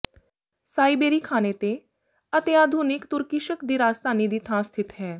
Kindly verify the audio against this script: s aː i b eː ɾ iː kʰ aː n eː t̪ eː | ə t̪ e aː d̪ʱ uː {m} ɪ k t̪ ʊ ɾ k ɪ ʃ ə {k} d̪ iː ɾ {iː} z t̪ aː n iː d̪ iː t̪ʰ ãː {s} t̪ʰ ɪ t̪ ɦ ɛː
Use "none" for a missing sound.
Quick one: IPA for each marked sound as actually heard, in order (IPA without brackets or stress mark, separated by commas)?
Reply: n, k, aː, s